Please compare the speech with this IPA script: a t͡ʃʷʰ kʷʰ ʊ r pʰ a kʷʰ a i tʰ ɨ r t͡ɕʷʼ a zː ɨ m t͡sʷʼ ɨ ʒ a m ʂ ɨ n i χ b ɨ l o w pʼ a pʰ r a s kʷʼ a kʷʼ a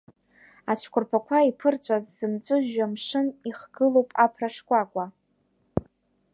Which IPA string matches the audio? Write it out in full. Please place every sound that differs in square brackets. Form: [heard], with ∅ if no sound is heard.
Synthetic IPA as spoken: a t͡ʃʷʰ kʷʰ ʊ r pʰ a kʷʰ a i [pʰ] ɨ r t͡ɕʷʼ a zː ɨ m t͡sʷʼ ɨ ʒ a m ʂ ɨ n i χ [ɡ] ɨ l o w pʼ a pʰ r a [ʂ] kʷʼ a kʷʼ a